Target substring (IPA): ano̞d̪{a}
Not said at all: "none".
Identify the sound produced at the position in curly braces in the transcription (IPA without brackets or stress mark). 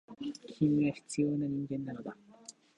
a